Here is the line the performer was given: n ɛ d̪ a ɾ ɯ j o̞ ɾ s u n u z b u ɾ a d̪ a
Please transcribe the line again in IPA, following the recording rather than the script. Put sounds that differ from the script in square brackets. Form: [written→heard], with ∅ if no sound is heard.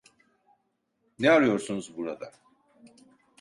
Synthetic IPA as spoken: n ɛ [d̪→∅] a ɾ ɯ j o̞ ɾ s u n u z b u ɾ a d̪ a